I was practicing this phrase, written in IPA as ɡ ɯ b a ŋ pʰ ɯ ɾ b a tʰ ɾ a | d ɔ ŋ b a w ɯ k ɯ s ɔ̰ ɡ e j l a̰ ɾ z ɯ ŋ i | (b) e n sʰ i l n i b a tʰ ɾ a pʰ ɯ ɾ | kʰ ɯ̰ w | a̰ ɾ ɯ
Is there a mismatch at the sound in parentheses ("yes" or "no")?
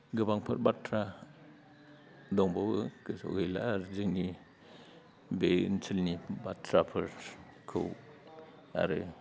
no